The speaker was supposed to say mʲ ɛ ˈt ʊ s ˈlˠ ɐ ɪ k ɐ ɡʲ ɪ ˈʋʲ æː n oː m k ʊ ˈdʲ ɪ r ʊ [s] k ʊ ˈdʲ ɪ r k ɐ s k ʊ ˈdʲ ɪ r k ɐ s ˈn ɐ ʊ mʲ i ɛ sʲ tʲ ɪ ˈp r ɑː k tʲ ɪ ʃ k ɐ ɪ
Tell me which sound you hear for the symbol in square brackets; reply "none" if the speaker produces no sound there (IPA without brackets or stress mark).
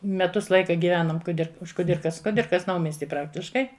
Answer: ʃ